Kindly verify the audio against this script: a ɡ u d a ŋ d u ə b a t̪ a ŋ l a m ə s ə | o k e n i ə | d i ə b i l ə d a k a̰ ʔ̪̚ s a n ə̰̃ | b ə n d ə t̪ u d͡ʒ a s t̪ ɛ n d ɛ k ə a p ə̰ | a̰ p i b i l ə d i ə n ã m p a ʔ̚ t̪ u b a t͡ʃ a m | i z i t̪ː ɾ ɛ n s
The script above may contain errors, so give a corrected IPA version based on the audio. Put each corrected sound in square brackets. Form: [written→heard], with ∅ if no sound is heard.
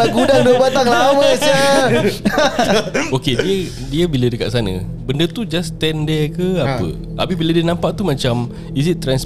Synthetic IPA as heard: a ɡ u d a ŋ d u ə b a t̪ a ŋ l a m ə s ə | o k e [n→d] i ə | d i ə b i l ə d [a→ə] k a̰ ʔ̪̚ s a n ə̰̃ | b ə n d ə t̪ u d͡ʒ a s t̪ ɛ n d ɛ k ə a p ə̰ | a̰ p i b i l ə d i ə n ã m p a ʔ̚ t̪ u [b→m] a t͡ʃ a m | i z i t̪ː ɾ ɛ n s